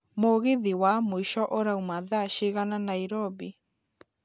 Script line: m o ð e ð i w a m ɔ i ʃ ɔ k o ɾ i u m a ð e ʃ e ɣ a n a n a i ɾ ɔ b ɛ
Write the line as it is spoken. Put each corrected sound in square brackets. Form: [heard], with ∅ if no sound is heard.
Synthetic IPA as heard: m o [ɣ] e ð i w a m [o] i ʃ ɔ [ʔ] o ɾ [a] u m a ð [a] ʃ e ɣ a n a n a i ɾ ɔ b [i]